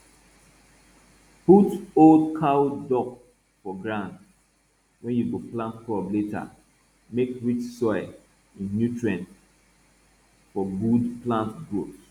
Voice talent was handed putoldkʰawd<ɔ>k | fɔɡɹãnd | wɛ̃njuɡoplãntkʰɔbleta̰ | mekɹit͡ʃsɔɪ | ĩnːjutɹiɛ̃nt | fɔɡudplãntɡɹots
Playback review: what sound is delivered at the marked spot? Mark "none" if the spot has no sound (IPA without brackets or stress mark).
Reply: ɔ